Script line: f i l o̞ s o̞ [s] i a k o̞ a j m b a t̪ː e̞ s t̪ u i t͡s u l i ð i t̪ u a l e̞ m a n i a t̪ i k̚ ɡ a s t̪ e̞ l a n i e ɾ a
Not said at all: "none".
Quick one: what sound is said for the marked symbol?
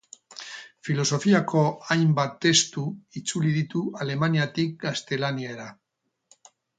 f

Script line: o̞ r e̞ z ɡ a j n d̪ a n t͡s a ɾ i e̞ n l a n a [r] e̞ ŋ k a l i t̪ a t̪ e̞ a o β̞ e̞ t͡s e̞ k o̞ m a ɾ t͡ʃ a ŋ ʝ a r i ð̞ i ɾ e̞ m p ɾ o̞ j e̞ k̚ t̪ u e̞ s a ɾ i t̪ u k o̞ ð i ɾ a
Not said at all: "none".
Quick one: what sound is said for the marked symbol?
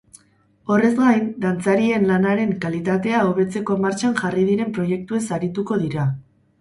ɾ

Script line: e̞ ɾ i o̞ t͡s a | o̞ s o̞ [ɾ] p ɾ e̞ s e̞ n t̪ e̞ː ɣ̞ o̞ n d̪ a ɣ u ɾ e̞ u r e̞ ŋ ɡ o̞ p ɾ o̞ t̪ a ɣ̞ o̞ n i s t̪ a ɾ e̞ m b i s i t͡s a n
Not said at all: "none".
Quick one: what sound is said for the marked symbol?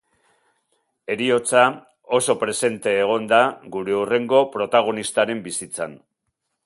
none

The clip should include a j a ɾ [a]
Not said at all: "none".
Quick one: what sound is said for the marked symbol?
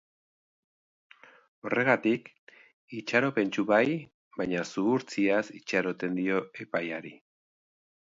i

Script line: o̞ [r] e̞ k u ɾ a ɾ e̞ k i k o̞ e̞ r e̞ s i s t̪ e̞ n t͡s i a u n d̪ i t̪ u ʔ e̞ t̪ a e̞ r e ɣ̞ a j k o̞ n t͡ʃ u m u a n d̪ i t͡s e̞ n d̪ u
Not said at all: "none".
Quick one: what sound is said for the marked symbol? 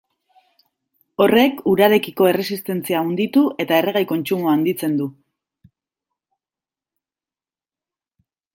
r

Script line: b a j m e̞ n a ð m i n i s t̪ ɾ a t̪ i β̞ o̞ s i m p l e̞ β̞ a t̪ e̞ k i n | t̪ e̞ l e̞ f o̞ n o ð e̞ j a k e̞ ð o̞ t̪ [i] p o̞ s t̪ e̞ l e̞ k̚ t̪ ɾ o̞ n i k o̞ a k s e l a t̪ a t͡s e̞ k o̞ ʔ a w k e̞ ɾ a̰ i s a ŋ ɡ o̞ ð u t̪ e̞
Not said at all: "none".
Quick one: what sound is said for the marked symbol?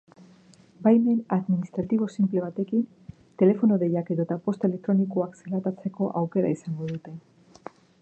a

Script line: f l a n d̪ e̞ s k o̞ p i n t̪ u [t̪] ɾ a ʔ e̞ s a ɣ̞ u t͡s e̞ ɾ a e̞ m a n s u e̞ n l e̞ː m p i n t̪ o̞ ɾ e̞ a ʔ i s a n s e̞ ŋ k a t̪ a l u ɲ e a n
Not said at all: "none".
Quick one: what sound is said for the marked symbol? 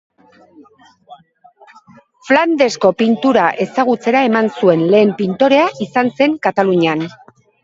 none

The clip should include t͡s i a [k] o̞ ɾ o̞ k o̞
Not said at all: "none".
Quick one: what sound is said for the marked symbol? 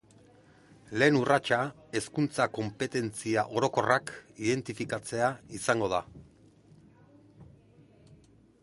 ʔ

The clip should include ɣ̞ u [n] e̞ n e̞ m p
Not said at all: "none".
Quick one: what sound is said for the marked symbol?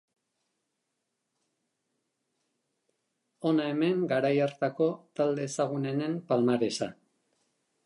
n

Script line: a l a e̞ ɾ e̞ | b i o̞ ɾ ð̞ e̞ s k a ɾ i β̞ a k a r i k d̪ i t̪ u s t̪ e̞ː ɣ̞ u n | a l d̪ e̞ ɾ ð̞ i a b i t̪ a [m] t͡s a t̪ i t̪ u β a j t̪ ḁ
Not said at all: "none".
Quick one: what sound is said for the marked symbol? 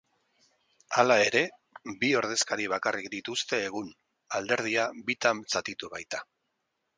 m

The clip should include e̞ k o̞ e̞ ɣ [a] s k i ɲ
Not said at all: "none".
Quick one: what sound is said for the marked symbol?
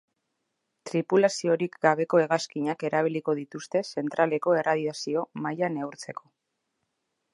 a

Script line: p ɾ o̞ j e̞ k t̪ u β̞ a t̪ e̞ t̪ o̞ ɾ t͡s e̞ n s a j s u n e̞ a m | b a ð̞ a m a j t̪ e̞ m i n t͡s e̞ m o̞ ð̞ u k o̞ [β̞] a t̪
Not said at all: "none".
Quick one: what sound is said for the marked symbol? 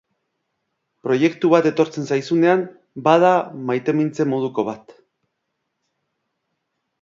β̞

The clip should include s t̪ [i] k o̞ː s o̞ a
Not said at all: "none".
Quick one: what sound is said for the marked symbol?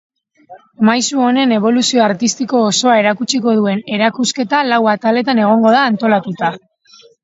i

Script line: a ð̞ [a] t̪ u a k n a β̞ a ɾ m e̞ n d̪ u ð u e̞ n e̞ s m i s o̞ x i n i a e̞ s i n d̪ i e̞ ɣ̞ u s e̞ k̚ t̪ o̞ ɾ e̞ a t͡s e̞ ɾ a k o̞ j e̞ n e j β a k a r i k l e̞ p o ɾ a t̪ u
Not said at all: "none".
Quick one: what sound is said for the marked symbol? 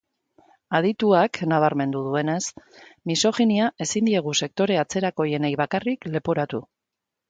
i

